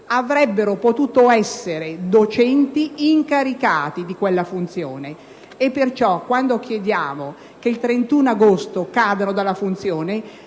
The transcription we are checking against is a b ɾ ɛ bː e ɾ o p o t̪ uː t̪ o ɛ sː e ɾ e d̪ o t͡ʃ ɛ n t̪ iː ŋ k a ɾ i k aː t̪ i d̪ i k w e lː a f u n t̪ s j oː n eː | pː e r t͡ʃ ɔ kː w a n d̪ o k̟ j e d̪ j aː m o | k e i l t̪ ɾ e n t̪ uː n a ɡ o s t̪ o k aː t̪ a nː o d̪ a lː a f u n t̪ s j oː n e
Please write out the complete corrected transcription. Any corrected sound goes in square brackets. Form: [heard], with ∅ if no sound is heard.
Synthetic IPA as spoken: a [v] ɾ ɛ bː e ɾ o p o t̪ uː t̪ o ɛ sː e ɾ e d̪ o t͡ʃ ɛ n t̪ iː ŋ k a ɾ i k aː t̪ i d̪ i k w e lː a f u n t̪ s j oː n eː | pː e r t͡ʃ ɔ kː w a n d̪ o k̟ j e d̪ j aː m o | k e i l t̪ ɾ e n t̪ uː n a ɡ o s t̪ o k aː [d̪] a [n] o d̪ a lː a f u n t̪ s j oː n e